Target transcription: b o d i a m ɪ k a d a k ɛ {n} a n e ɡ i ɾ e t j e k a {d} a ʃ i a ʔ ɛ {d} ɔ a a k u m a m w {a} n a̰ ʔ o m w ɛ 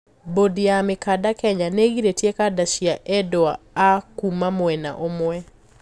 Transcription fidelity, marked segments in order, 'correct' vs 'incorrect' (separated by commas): incorrect, correct, correct, incorrect